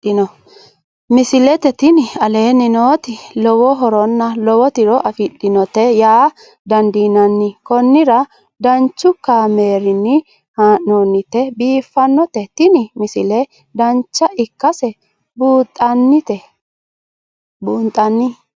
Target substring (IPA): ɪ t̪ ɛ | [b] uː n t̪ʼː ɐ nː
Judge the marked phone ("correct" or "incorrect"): correct